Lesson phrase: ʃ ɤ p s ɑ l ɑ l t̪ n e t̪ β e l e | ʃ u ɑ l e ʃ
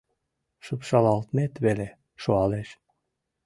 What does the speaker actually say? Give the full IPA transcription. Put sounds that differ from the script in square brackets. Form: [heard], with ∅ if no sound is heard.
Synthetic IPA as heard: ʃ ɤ p [ʃ] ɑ l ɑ l t̪ [m] e t̪ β e l e | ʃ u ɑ l e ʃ

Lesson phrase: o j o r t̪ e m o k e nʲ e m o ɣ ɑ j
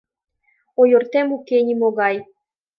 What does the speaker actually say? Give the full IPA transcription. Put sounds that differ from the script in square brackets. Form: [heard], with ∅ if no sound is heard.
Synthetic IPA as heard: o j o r t̪ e m [u] k e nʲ [i] m o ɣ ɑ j

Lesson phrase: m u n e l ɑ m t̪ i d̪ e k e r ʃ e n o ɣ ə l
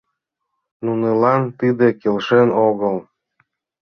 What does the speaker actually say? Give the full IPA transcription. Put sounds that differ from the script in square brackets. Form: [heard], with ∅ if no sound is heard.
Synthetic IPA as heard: [n] u n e l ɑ [n] t̪ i d̪ e k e [l] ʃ e n o ɣ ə l

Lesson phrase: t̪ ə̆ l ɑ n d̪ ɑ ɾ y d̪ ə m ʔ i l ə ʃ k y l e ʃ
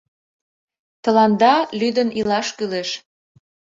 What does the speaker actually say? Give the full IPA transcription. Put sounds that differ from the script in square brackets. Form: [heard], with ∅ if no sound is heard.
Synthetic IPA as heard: t̪ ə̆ l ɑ n d̪ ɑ [l] y d̪ ə [n] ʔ i l [ɑ] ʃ k y l e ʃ

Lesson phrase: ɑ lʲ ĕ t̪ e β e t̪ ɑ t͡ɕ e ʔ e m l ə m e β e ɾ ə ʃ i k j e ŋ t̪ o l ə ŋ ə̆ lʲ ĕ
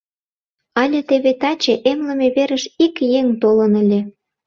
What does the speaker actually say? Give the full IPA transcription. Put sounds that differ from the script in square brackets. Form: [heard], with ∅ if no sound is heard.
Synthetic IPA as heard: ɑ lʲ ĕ t̪ e β e t̪ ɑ t͡ɕ e ʔ e m l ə m e β e ɾ ə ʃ i k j e ŋ t̪ o l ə [n] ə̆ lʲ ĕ

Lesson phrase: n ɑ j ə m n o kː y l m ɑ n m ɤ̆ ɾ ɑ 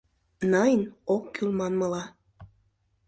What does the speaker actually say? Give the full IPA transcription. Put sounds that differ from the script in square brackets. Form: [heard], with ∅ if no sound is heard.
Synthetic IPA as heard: n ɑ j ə [∅] n o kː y l m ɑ n m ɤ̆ [l] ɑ

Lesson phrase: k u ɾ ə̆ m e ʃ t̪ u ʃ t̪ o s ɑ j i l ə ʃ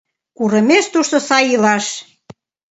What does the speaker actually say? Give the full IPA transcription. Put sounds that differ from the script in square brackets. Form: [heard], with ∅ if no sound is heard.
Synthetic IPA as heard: k u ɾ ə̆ m e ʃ t̪ u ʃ t̪ o s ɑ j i l [ɑ] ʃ

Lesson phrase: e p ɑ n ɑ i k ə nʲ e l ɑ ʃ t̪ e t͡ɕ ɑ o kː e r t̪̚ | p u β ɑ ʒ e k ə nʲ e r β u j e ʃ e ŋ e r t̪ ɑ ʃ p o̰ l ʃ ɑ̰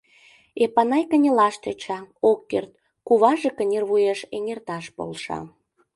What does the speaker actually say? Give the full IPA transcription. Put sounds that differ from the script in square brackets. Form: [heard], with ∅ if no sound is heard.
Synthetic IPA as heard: e p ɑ n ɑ [j] k ə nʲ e l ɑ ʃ t̪ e t͡ɕ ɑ o kː e r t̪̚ | [k] u β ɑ ʒ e k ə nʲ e r β u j e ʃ e ŋ e r t̪ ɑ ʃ p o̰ l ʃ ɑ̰

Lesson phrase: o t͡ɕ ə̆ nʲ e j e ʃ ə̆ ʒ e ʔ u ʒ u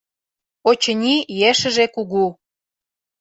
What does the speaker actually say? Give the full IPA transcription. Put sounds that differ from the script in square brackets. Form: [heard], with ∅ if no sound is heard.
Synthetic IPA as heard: o t͡ɕ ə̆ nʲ [i] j e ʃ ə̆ ʒ e [k] u [ɣ] u

